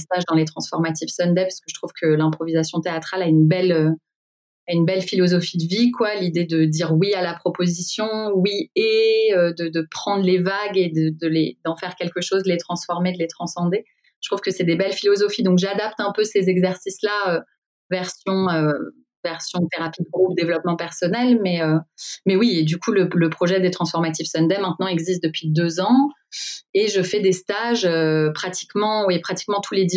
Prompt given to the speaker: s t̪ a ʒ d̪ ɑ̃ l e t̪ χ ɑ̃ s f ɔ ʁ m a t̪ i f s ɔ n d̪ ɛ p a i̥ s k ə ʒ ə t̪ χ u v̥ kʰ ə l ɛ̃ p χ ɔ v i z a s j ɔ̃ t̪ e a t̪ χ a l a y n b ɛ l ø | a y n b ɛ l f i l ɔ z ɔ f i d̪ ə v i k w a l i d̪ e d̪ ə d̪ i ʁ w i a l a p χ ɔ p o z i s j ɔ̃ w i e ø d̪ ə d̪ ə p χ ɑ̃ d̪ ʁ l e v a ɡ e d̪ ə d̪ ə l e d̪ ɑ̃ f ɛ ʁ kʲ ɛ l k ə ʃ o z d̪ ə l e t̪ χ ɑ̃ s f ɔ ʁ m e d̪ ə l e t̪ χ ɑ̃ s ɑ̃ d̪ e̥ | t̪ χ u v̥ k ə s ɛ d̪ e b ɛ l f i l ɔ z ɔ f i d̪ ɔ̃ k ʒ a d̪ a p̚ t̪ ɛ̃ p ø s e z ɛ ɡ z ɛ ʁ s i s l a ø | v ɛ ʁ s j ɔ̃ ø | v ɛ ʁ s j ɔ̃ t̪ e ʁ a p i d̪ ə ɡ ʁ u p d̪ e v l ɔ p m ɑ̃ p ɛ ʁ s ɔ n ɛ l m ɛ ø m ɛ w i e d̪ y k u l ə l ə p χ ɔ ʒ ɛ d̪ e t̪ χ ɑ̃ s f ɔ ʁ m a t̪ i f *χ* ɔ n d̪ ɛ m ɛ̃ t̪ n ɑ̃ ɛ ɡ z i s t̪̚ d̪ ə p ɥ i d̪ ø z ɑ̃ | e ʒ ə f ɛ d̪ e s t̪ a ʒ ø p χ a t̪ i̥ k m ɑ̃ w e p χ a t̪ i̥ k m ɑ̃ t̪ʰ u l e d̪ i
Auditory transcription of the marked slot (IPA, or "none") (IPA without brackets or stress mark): s